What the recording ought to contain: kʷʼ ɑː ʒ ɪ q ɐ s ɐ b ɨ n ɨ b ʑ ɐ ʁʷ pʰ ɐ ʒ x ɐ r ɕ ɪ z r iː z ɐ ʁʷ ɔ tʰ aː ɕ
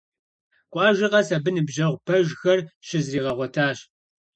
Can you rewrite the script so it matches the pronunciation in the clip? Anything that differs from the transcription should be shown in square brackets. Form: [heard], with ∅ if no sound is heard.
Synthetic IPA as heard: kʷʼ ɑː ʒ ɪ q ɐ s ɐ b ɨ n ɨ b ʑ ɐ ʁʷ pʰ ɐ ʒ x ɐ r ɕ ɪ z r iː [ʁ] ɐ ʁʷ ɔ tʰ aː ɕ